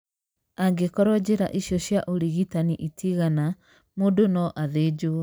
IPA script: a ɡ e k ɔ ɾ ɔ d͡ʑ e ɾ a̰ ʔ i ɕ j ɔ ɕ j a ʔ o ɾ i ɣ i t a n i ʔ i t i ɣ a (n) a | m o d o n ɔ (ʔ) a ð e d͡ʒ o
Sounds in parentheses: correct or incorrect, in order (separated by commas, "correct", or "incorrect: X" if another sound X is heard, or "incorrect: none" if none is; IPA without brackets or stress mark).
correct, correct